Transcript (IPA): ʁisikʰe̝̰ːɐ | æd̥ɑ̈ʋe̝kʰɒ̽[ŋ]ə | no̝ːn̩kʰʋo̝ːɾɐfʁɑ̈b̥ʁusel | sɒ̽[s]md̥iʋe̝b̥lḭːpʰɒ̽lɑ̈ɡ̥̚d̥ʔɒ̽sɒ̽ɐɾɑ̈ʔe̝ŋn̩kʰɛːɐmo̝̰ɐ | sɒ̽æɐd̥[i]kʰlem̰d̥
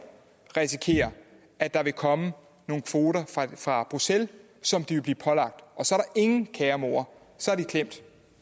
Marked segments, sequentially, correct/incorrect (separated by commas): incorrect, incorrect, correct